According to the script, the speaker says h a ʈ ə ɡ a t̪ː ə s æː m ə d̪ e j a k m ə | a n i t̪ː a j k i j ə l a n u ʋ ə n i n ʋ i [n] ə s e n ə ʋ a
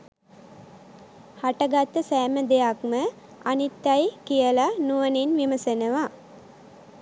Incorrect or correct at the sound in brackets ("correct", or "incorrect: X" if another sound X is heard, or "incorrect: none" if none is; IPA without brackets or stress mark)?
incorrect: m